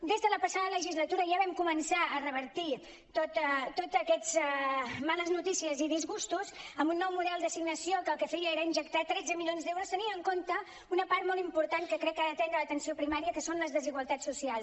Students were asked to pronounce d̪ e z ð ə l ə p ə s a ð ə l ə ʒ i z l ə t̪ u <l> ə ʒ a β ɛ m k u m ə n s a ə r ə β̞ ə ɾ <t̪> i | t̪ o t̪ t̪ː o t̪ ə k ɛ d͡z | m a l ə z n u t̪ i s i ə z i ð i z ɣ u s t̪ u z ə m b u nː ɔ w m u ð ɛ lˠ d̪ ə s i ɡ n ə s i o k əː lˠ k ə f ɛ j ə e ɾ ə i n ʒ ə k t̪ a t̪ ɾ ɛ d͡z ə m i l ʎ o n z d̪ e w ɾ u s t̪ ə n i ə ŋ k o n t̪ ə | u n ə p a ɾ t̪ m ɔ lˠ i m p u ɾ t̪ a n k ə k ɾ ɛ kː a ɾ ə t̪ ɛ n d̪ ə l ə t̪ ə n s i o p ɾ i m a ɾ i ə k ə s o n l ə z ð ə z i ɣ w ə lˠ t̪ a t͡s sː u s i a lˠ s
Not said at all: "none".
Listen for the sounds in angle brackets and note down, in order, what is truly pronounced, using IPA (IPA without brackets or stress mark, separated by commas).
ɾ, t̪